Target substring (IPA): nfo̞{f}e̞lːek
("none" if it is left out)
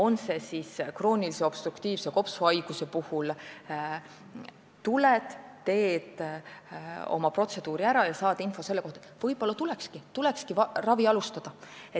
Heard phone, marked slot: s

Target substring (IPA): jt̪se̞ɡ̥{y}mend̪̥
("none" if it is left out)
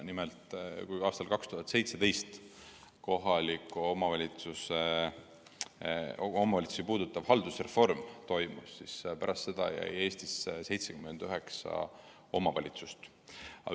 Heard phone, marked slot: y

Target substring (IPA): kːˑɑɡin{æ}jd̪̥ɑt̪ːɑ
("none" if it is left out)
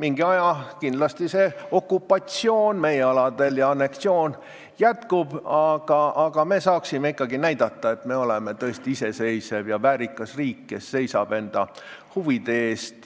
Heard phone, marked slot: æ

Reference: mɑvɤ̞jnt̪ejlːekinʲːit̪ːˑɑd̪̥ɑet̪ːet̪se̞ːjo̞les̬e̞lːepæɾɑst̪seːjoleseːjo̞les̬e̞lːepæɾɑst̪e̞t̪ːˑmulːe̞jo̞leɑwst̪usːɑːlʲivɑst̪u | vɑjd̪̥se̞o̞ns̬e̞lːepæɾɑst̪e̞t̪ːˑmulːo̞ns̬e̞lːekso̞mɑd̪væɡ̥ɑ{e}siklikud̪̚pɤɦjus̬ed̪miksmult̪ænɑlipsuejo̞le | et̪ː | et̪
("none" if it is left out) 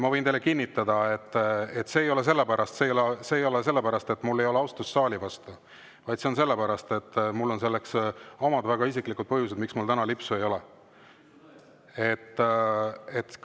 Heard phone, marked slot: i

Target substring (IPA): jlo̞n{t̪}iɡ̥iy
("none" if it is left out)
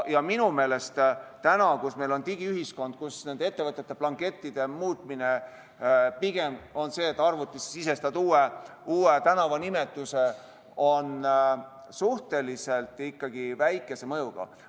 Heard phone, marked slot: t̪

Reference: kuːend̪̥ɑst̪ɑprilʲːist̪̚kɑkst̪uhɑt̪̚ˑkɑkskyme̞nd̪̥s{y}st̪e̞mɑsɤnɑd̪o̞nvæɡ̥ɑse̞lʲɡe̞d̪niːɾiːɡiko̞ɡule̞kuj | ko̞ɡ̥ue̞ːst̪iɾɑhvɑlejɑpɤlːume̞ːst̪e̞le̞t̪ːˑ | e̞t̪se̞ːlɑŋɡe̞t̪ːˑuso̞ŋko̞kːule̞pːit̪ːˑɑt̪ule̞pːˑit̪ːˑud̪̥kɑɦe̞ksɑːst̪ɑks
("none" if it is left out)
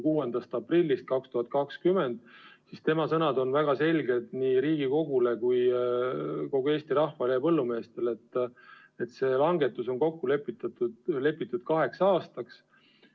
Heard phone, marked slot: i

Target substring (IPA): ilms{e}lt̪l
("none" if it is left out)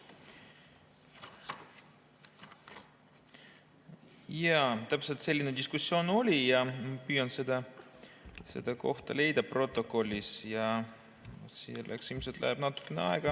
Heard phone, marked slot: e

